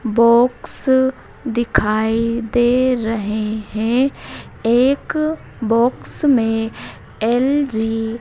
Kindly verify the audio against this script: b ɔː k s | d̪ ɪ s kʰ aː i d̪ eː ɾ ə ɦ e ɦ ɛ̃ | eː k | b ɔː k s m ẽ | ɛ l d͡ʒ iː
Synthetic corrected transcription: b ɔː k s | d̪ ɪ kʰ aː i d̪ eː ɾ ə ɦ e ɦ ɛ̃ | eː k | b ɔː k s m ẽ | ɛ l d͡ʒ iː